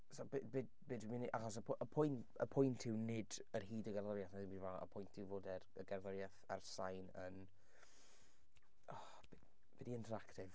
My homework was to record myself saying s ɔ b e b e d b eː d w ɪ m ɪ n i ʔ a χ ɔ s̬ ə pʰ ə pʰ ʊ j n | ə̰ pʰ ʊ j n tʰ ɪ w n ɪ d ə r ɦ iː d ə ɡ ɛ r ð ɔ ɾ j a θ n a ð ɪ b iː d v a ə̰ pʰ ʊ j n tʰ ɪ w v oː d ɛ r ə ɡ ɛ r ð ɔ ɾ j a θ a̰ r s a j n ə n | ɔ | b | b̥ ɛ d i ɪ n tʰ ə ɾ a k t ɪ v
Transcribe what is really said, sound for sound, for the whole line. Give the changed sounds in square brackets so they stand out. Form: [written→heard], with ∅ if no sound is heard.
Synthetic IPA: s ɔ b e b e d b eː d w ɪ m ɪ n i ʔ a χ ɔ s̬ ə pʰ ə pʰ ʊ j n | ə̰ pʰ ʊ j n tʰ ɪ w n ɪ d ə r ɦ iː d ə ɡ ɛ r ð ɔ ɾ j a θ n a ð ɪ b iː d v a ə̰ pʰ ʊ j n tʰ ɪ w v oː d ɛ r ə ɡ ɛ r ð ɔ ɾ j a θ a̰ r s a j n ə n | ɔ | b | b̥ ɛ d i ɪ n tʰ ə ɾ a k t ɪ v